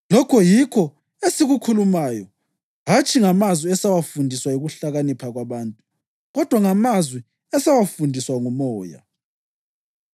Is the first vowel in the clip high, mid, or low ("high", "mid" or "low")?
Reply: mid